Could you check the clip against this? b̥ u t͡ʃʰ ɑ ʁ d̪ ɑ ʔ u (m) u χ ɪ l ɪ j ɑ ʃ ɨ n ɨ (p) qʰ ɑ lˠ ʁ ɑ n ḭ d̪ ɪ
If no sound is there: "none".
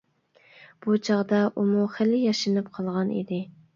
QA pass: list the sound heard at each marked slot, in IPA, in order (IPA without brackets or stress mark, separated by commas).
m, p